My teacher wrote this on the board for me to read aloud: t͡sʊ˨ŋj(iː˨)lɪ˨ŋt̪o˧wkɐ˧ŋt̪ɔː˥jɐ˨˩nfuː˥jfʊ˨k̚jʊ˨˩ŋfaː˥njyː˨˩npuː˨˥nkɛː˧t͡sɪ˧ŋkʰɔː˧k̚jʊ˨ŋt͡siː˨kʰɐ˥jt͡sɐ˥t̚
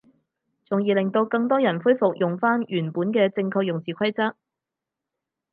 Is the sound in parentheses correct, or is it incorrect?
correct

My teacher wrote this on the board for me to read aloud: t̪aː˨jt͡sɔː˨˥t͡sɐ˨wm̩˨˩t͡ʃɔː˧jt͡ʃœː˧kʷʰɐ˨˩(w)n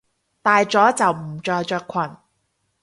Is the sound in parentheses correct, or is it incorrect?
incorrect: none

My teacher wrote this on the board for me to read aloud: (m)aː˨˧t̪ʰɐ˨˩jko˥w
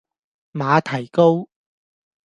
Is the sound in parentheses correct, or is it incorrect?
correct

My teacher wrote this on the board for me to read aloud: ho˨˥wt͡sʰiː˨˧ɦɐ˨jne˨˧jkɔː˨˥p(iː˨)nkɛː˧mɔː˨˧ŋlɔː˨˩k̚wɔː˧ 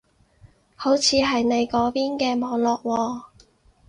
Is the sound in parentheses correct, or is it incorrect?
incorrect: iː˥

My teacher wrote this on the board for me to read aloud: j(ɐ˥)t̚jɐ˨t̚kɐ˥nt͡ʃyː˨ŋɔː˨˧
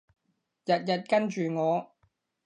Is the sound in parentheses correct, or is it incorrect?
incorrect: ɐ˨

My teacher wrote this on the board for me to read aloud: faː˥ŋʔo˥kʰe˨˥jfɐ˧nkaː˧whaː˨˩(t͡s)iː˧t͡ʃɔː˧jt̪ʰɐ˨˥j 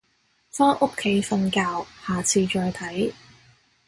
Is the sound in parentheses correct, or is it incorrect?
incorrect: t͡sʰ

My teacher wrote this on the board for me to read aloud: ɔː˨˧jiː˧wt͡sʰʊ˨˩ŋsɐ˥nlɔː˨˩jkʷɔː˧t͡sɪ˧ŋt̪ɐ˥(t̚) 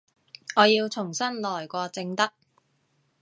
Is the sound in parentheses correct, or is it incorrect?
incorrect: k̚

